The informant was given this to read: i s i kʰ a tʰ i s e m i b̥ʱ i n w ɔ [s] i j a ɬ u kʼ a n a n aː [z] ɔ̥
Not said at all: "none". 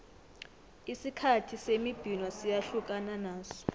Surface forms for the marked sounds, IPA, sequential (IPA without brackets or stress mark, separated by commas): s, s